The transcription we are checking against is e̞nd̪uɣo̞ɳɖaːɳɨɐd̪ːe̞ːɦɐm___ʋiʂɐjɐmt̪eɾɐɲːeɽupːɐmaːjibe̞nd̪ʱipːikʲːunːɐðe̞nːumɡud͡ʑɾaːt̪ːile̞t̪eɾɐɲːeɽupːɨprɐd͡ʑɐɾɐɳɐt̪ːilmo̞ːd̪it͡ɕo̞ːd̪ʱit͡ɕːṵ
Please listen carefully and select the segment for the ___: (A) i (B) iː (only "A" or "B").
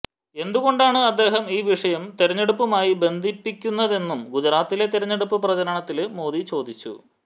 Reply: B